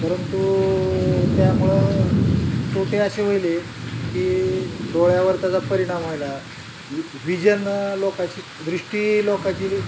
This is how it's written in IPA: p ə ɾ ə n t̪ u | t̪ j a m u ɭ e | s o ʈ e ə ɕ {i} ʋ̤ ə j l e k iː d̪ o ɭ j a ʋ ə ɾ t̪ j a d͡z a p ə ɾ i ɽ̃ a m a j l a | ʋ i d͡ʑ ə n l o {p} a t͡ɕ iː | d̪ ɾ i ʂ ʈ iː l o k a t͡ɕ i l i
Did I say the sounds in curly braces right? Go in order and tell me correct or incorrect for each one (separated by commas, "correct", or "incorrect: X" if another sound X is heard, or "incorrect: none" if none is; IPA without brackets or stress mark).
incorrect: e, incorrect: k